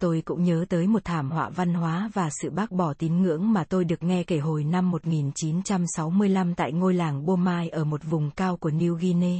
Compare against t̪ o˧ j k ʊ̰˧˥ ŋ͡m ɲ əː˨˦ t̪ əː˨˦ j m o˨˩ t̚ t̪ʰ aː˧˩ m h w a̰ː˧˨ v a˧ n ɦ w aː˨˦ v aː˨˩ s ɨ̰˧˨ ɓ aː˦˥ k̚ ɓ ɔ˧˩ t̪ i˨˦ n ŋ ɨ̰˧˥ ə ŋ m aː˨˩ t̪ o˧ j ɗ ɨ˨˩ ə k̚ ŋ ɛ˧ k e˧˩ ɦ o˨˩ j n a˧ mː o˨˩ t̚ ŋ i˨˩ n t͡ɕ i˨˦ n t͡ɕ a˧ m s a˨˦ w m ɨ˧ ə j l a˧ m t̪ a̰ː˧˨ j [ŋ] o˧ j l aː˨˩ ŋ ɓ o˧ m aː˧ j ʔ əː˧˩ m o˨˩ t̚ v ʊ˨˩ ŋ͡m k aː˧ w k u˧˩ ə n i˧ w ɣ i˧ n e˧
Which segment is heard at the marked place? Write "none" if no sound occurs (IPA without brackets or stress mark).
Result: ŋ